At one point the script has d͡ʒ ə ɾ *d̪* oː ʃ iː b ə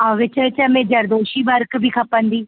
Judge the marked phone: correct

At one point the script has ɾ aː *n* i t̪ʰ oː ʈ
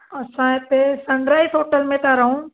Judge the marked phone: incorrect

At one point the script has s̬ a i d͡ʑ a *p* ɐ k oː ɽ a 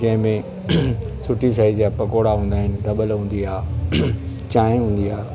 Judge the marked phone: correct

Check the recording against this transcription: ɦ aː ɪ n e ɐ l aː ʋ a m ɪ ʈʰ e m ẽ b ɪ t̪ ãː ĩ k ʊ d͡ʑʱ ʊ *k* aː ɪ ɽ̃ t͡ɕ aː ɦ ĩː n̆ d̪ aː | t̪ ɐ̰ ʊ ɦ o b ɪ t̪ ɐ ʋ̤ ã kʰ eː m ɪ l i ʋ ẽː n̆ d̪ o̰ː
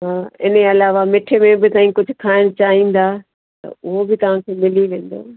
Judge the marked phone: incorrect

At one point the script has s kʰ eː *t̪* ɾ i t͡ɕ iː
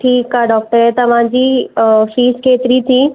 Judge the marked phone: correct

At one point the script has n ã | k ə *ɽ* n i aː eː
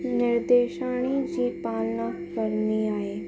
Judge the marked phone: incorrect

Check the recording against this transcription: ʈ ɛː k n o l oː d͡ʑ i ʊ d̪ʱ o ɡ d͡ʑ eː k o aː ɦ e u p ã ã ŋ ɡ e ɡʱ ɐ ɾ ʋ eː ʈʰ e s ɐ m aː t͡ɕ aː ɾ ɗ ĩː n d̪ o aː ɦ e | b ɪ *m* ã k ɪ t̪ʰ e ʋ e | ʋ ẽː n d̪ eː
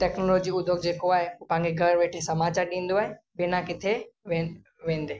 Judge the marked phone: incorrect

